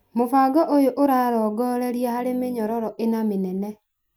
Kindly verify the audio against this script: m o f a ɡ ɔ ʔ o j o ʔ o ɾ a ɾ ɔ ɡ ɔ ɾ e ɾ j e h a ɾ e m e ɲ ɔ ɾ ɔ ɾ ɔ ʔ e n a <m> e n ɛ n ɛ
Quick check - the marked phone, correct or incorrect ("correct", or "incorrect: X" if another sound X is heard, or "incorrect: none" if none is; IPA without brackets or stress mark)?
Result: correct